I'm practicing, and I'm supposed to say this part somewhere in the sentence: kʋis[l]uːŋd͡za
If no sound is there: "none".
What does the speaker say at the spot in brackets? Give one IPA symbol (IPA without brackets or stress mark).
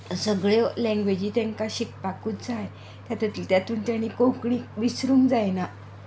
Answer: ɾ